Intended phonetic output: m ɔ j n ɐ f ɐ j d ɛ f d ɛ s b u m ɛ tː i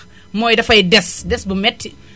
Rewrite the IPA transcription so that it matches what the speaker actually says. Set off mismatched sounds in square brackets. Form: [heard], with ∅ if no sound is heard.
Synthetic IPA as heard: m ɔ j [d] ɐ f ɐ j d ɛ [s] d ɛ s b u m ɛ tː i

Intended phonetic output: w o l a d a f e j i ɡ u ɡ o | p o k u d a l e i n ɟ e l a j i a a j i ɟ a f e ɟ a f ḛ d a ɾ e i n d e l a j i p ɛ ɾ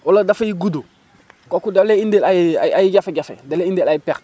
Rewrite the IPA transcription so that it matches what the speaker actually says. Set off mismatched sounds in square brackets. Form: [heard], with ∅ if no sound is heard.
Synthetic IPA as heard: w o l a d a f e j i ɡ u [d] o | [k] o k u d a l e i n [d] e l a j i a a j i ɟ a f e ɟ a f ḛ d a [l] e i n d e l a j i p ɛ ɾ

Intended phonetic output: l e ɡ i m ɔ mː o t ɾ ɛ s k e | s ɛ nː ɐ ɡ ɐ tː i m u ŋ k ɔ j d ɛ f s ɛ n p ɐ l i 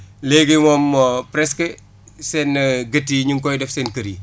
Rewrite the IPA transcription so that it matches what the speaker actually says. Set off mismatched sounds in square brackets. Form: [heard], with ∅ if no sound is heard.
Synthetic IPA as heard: l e ɡ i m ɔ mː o [p] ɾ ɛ s k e | s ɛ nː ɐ ɡ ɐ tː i [ɲ] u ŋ k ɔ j d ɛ f s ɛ n [k] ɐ [ɾ] i

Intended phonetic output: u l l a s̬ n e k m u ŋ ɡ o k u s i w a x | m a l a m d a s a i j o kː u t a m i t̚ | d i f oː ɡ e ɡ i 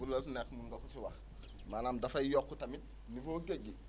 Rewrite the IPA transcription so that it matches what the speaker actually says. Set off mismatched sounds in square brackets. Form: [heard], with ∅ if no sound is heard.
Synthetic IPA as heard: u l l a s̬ n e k m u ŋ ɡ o k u s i w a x | m a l a m d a [f] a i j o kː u t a m i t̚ | [n] i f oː ɡ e ɡ i

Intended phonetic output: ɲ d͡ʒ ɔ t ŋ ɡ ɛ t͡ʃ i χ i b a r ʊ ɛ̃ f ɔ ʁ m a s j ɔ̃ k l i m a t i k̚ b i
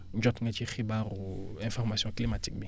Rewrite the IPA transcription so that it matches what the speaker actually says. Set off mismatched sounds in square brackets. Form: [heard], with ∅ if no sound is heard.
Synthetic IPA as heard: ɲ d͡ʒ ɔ t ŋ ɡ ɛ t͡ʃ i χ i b a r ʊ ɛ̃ f ɔ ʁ m a s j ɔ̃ k l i m a t i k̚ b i

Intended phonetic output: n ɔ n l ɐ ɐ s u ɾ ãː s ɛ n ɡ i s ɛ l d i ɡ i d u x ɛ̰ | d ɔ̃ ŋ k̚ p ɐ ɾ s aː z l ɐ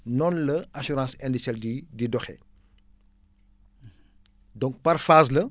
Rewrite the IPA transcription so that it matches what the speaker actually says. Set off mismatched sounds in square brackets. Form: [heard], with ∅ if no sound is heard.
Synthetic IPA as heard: n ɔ n l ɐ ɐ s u ɾ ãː s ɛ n [d] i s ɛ l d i [d] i d [ɔ] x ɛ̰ | d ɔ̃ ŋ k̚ p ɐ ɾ [f] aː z l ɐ

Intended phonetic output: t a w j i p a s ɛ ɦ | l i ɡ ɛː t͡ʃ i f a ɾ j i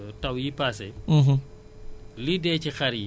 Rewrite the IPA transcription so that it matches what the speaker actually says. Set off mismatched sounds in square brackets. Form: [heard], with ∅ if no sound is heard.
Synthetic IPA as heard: t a w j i p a s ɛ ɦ | l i [d] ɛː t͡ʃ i [x] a ɾ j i

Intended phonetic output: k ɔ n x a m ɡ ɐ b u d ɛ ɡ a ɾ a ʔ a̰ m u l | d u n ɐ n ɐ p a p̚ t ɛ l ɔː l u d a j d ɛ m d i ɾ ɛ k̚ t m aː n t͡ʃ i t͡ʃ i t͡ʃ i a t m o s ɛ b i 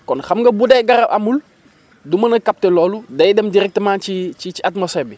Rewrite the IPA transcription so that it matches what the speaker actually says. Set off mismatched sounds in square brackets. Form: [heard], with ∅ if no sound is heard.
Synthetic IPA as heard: k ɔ n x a m ɡ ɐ b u d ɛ ɡ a ɾ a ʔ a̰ m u l | d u [m] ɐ n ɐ [k] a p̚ t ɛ l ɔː l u d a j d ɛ m d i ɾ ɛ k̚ t m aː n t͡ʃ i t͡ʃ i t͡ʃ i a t m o s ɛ b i

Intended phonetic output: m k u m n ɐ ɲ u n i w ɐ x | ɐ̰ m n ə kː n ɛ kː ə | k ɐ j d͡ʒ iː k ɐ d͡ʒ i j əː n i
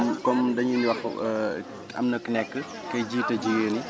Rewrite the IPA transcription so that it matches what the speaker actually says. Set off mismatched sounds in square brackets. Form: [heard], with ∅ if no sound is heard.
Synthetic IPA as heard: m k [ɔ] m [d] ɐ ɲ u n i w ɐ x | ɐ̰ m n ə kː n ɛ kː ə | k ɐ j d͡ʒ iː [t] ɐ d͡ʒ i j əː n i

